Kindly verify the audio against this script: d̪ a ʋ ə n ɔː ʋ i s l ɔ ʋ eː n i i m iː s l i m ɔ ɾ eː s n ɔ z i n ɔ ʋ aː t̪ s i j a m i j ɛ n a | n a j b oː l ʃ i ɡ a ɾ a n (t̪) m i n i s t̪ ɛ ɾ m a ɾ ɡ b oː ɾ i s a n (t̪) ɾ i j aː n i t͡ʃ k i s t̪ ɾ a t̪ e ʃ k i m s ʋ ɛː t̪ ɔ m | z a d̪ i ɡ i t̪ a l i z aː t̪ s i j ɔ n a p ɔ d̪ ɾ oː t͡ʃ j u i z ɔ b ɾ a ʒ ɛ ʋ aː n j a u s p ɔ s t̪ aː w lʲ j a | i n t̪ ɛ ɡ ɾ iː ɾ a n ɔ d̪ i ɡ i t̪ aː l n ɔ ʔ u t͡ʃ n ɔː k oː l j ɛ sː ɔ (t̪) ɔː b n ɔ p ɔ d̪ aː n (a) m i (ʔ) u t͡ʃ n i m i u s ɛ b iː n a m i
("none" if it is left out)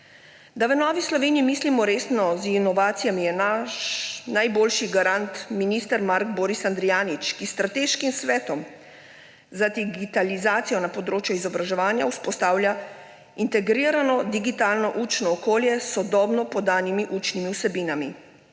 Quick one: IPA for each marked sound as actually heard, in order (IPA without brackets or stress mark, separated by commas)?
t̪, d̪, d̪, i, ʔ